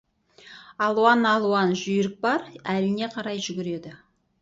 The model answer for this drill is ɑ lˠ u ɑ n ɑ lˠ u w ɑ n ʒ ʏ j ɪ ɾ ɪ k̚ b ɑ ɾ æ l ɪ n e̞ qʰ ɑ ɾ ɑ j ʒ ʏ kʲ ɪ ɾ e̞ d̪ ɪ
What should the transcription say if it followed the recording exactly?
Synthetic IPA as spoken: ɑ lˠ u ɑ n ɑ lˠ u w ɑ n ʒ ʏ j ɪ ɾ ɪ k̚ b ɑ ɾ æ l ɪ n e̞ qʰ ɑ ɾ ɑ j ʒ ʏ ɡʲ ɪ ɾ e̞ d̪ ɪ